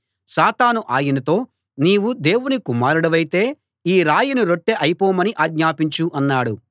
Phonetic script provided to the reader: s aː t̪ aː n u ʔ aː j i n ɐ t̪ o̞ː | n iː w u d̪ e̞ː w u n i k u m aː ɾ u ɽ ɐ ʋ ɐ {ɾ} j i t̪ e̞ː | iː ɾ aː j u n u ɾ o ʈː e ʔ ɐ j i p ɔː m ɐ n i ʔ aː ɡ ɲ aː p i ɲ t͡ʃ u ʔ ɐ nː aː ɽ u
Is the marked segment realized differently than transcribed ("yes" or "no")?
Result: yes